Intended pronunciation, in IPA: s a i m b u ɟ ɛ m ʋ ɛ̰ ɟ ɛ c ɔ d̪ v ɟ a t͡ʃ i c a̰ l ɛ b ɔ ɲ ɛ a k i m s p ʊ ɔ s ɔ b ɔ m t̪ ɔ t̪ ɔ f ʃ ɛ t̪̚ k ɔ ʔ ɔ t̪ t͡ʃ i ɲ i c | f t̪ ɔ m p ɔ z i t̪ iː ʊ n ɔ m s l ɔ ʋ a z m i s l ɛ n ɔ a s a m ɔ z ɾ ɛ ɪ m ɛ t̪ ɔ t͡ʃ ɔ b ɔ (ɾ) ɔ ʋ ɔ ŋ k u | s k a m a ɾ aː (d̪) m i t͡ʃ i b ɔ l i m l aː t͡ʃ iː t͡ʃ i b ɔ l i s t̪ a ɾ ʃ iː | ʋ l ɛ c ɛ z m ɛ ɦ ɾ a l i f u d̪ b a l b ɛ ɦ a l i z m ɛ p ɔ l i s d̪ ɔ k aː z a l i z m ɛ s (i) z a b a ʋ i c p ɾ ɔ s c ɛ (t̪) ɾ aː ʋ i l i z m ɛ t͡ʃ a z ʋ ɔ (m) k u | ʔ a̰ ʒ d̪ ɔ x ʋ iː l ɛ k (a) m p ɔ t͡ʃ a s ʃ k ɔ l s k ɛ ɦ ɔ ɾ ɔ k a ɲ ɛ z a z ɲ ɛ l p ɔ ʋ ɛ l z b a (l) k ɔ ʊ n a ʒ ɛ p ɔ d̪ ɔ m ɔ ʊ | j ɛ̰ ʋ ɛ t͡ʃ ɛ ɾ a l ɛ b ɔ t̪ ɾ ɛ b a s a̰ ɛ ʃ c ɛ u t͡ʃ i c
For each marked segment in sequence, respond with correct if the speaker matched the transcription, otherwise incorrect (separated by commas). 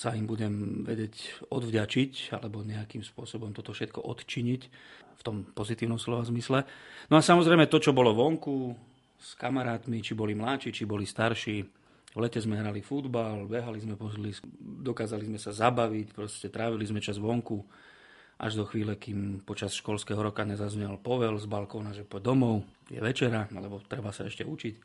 incorrect, incorrect, incorrect, correct, incorrect, incorrect, correct